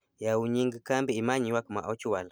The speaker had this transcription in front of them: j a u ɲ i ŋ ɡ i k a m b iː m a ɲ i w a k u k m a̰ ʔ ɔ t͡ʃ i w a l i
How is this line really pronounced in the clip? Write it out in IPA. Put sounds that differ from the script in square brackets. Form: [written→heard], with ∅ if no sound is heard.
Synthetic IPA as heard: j a u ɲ i ŋ ɡ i k a m b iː m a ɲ i w a k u [k→∅] m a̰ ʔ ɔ t͡ʃ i w a l [i→a]